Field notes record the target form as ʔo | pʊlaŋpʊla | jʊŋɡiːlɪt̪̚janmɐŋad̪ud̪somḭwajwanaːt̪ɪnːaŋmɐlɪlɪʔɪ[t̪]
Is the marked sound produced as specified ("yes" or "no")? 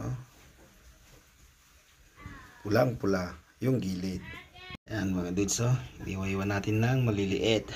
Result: yes